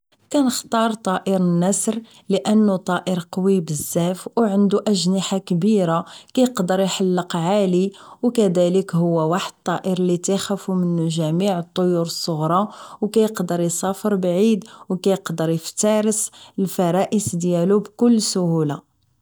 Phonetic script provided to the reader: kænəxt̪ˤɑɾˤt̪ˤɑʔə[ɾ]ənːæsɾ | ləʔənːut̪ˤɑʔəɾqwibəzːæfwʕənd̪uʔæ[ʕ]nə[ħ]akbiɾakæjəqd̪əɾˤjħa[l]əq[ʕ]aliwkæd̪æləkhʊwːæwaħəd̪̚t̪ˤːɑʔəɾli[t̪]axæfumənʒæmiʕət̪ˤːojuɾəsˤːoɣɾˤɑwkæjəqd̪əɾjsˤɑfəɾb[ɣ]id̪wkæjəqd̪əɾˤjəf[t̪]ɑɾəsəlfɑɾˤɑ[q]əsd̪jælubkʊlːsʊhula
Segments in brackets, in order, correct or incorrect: correct, incorrect, correct, incorrect, correct, correct, incorrect, correct, incorrect

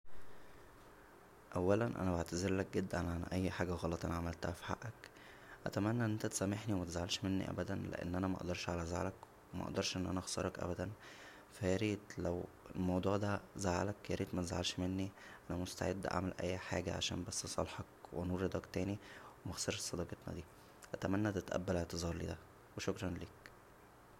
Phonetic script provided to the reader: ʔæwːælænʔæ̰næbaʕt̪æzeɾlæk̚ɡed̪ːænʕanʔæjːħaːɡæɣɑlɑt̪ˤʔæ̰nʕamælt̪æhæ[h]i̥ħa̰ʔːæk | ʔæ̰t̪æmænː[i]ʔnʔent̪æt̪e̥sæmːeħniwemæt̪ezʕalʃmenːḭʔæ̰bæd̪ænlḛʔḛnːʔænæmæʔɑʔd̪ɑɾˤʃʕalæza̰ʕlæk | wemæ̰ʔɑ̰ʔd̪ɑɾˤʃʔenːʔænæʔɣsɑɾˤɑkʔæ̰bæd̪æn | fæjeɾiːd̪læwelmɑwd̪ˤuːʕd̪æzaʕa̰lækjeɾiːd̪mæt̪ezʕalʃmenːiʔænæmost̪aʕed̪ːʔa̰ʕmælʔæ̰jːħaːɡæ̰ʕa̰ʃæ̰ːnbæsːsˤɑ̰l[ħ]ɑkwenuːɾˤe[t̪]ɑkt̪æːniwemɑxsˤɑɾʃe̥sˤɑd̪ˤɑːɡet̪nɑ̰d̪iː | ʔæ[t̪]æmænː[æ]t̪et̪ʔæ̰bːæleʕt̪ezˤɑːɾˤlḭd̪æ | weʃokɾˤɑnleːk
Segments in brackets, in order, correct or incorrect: incorrect, incorrect, correct, incorrect, correct, correct

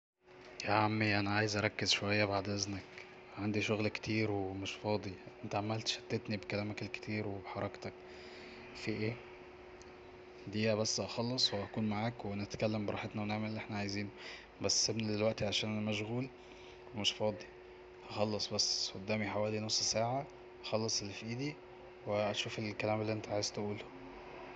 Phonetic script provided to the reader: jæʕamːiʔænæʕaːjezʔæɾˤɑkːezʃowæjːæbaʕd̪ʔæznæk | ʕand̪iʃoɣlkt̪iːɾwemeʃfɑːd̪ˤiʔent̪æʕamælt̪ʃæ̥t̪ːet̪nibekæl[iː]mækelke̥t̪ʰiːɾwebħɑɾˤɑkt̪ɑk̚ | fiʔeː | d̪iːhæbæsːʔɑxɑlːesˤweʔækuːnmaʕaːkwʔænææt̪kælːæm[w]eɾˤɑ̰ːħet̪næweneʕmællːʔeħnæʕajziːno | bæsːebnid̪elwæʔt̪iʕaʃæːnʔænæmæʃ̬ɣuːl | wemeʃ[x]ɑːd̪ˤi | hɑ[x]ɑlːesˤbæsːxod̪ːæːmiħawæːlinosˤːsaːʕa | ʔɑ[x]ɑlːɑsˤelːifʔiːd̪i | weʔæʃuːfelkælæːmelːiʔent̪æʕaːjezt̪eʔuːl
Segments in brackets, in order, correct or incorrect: incorrect, incorrect, incorrect, correct, correct

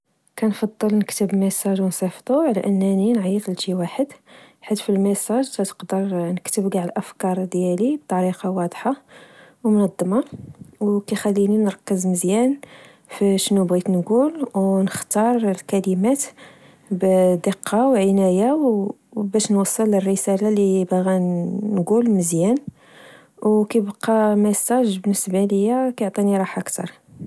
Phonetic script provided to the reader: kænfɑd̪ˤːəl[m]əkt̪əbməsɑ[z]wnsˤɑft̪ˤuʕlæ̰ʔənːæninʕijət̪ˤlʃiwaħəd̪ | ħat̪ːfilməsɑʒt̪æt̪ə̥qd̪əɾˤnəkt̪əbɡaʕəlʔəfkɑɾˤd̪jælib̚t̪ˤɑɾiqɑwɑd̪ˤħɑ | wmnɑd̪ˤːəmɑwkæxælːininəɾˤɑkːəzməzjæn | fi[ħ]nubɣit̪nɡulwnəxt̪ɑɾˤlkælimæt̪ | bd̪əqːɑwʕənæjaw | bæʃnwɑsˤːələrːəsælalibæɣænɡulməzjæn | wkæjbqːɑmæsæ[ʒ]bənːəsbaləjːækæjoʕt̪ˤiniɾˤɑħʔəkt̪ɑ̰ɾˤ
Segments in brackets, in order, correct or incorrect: incorrect, incorrect, incorrect, correct

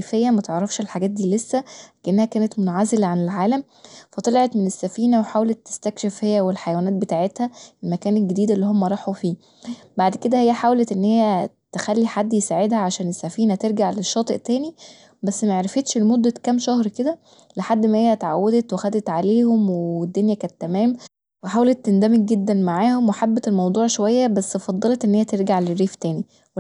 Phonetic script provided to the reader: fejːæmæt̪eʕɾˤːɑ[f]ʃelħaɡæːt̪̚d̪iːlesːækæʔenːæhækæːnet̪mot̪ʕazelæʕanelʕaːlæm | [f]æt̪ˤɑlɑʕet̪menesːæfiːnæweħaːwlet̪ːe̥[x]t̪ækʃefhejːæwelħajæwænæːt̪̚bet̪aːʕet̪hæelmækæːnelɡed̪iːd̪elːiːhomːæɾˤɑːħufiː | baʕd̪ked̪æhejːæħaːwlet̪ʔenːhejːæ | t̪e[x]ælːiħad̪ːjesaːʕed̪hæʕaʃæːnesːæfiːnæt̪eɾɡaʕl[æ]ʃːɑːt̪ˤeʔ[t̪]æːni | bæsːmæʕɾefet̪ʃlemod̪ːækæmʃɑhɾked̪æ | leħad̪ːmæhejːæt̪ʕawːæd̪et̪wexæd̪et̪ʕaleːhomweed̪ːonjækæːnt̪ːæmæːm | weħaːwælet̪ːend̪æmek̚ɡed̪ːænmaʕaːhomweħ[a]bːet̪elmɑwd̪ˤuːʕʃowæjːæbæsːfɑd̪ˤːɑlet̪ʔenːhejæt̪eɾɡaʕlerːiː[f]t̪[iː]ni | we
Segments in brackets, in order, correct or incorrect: correct, correct, incorrect, correct, incorrect, correct, correct, correct, incorrect

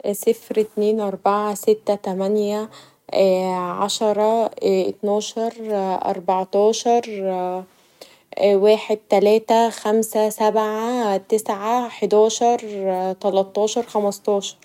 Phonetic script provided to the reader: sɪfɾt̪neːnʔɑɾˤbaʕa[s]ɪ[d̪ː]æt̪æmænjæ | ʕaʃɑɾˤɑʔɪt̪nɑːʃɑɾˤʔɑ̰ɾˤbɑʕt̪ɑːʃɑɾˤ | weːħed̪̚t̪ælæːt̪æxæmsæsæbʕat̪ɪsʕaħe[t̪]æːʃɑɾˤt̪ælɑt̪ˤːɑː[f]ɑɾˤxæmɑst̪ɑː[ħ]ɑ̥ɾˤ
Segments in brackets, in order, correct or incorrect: correct, incorrect, incorrect, incorrect, incorrect

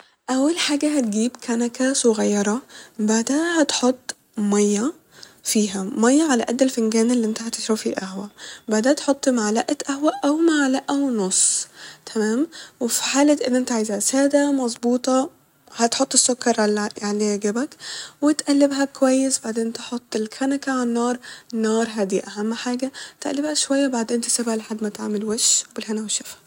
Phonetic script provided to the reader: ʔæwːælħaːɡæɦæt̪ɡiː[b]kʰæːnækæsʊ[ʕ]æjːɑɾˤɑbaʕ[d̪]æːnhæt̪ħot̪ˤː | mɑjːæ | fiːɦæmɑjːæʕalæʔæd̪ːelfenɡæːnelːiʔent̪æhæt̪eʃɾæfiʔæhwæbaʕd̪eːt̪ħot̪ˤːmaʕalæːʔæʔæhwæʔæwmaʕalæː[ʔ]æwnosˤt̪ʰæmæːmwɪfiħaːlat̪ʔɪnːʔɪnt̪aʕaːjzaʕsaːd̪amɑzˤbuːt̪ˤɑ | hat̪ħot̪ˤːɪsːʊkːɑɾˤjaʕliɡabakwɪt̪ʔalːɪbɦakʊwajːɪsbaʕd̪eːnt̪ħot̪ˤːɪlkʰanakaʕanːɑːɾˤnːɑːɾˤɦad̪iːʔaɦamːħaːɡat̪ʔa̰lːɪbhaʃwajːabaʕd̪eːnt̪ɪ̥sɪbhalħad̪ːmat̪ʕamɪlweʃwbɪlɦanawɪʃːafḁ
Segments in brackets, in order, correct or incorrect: correct, incorrect, correct, correct

